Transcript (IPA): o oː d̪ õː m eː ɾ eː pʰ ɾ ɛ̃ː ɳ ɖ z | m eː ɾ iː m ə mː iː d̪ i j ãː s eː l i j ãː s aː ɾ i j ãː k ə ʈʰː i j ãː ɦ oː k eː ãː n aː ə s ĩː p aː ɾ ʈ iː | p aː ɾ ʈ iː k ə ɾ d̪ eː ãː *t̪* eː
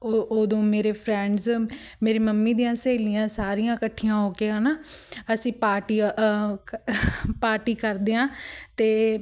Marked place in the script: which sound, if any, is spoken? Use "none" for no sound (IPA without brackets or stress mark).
t̪